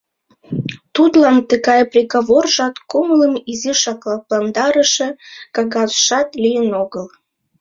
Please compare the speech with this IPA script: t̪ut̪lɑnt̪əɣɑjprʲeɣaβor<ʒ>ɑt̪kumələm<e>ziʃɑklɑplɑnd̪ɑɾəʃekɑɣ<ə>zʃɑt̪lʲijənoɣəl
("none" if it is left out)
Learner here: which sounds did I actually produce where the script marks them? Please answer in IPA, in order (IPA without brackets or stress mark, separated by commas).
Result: ʒ, i, ɑ